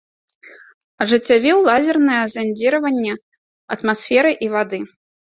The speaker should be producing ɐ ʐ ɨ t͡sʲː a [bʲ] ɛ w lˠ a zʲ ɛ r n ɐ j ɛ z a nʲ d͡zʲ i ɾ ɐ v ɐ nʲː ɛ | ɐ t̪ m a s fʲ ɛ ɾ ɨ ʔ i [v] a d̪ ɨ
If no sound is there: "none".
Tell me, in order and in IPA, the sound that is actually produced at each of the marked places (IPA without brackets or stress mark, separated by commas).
vʲ, v